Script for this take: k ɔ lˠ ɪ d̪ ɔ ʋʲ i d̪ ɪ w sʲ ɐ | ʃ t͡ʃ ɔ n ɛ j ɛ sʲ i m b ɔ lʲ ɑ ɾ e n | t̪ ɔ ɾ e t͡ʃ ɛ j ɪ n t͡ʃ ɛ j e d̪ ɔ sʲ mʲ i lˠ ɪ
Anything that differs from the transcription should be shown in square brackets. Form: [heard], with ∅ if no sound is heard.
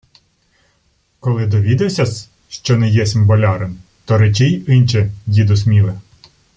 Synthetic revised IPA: k ɔ lˠ ɪ d̪ ɔ ʋʲ i d̪ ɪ w sʲ ɐ | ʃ t͡ʃ ɔ n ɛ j ɛ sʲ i m b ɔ lʲ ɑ ɾ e n | t̪ ɔ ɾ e t͡ʃ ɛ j ɪ n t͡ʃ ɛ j [i] d̪ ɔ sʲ mʲ i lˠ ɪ